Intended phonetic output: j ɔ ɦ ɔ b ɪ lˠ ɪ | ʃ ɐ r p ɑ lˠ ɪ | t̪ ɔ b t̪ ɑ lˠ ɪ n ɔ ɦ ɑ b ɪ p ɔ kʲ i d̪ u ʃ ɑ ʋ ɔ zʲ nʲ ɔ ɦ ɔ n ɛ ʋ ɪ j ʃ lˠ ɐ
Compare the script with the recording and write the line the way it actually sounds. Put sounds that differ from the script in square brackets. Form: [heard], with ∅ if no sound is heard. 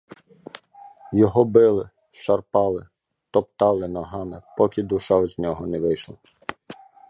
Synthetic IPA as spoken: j ɔ ɦ ɔ b ɪ lˠ ɪ | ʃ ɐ r p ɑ lˠ ɪ | t̪ ɔ [p] t̪ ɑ lˠ ɪ n ɔ ɦ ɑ [m] ɪ p ɔ kʲ i d̪ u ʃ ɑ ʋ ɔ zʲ nʲ ɔ ɦ ɔ n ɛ ʋ ɪ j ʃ lˠ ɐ